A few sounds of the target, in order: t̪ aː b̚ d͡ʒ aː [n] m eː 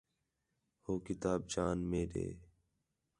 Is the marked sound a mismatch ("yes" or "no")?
no